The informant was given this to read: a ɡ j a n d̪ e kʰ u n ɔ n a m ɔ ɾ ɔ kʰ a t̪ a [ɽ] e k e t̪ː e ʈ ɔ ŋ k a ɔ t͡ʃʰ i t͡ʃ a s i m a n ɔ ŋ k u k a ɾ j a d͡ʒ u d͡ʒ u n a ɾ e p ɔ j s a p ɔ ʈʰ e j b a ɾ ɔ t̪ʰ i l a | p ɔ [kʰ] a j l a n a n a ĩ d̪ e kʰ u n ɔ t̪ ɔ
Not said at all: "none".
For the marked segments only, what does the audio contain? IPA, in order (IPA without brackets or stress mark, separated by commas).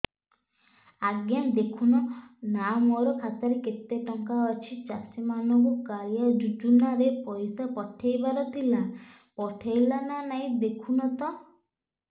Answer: ɾ, ʈʰ